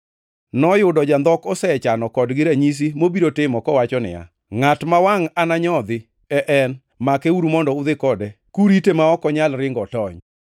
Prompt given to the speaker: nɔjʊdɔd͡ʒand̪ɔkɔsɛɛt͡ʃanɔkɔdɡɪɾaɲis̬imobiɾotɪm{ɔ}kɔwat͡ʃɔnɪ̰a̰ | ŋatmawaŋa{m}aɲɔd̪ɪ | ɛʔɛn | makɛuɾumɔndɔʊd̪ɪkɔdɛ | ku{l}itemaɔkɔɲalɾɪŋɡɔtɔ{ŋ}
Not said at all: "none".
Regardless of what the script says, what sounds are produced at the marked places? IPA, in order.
ɔ, n, ɾ, ɲ

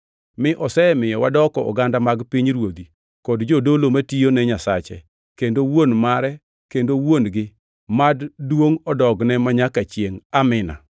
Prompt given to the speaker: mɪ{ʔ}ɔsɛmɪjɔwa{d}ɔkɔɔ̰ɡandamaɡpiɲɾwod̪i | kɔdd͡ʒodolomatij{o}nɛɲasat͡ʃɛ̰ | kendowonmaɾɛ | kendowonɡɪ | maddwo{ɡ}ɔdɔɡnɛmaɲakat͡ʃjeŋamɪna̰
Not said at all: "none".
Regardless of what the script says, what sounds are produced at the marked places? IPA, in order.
ʔ, d, o, ŋ

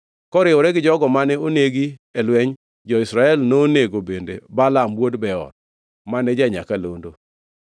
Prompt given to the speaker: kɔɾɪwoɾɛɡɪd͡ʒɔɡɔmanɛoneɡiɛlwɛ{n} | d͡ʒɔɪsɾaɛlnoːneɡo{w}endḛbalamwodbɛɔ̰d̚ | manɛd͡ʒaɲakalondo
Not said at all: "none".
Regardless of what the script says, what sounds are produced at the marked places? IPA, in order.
ɲ, b

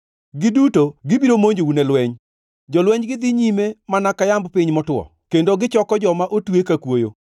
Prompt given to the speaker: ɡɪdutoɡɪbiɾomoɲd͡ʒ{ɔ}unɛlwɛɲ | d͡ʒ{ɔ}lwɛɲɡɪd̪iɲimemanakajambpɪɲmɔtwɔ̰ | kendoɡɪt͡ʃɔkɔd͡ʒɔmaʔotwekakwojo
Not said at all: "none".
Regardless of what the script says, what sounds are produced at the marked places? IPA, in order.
o, ɔ

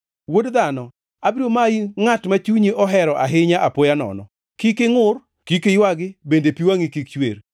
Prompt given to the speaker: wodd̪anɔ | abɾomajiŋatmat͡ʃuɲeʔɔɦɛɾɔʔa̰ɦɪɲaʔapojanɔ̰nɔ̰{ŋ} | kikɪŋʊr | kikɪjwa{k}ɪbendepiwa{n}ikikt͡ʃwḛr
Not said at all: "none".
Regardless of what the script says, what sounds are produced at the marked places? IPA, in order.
none, ɡ, ŋ

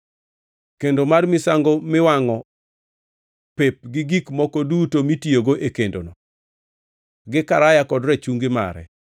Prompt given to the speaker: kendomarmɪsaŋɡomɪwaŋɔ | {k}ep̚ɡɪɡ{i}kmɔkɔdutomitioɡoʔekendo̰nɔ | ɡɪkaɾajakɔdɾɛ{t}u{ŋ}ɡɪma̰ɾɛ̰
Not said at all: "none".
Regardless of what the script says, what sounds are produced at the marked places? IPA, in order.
p, i, t͡ʃ, ŋ

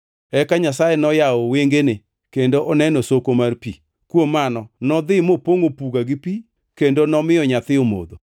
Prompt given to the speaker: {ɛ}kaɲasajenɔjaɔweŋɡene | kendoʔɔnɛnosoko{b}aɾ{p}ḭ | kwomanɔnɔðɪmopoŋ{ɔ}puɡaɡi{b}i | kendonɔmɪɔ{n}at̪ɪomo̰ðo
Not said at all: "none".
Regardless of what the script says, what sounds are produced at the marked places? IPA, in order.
ɛ, m, p, o, p, ɲ

